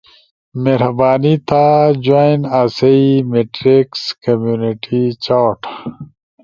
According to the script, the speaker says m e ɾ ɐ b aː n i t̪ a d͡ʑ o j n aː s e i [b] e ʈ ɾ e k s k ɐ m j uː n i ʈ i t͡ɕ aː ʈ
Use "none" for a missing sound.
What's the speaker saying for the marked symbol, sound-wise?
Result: m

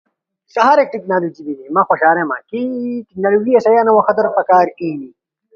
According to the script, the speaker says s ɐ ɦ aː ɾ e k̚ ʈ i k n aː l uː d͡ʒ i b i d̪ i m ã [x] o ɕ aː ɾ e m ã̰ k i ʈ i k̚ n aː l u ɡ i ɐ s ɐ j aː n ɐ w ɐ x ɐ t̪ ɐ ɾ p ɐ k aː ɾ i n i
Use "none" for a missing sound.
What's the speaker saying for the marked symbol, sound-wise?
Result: x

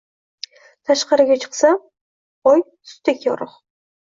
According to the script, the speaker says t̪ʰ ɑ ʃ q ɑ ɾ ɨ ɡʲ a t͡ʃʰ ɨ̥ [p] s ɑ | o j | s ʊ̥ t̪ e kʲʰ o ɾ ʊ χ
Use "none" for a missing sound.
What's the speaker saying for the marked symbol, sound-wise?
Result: q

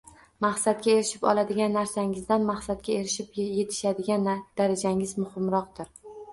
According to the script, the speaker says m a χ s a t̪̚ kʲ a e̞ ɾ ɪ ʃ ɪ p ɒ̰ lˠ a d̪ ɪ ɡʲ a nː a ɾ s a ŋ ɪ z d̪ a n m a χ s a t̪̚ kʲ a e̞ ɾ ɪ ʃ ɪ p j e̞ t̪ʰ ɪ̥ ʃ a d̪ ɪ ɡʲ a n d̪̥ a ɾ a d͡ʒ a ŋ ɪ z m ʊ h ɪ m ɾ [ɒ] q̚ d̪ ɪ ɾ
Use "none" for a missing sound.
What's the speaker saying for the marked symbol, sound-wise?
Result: ɒ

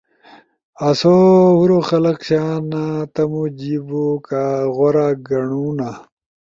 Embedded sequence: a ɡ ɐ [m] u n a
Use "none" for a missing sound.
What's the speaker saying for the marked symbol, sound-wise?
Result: ɳ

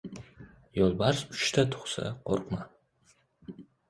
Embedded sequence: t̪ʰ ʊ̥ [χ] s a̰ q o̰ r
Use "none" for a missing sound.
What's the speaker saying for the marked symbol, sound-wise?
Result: χ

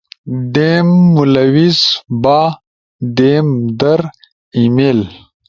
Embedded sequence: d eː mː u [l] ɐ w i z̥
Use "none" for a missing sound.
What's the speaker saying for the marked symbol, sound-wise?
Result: l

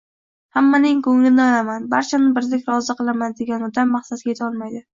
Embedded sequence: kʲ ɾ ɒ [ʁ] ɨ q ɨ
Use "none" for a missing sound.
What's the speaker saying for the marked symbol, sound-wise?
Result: z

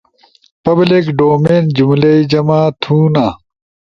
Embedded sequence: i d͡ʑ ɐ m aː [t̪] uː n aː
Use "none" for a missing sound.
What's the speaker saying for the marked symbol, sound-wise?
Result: t̪ʰ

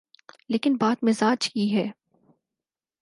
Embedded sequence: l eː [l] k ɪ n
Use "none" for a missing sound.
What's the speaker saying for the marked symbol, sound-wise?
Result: none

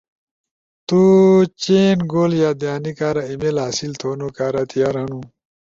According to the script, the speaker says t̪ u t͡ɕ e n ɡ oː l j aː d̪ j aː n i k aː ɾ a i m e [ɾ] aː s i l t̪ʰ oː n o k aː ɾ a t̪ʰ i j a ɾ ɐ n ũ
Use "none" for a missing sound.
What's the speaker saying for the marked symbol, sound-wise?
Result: l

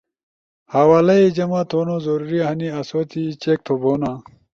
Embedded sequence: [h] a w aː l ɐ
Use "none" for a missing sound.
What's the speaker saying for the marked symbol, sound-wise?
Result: h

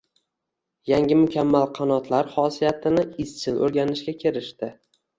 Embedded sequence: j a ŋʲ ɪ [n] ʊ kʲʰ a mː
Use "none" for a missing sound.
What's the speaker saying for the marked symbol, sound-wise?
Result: m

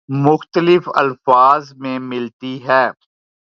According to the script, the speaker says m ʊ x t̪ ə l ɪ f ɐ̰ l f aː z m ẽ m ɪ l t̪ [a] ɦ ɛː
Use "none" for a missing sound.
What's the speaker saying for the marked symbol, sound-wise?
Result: i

